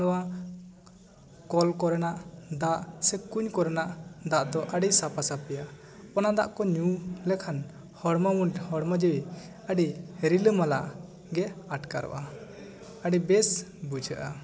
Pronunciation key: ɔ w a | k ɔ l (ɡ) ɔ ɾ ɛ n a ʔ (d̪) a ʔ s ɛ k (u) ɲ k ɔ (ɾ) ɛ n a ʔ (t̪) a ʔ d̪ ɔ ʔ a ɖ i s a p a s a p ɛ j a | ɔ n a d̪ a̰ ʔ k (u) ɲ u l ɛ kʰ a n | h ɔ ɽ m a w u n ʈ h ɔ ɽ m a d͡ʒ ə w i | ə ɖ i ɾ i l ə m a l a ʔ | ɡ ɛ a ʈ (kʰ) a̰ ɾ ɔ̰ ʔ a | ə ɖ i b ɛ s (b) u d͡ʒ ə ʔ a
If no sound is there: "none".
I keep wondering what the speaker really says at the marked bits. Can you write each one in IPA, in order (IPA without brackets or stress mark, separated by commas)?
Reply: k, d̪, u, ɾ, d̪, ɔ, k, b